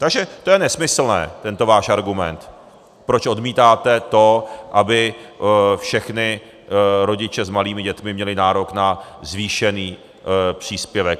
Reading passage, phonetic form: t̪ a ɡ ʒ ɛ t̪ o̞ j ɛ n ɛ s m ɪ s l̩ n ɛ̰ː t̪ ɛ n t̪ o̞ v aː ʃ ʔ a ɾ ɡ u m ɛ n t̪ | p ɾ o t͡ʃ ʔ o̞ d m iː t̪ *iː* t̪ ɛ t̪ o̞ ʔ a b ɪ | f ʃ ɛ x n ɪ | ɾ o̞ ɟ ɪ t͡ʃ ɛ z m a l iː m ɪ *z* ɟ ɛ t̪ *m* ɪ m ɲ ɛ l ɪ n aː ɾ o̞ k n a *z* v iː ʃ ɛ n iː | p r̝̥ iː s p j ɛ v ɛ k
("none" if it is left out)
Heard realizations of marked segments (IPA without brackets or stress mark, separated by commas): aː, none, m, z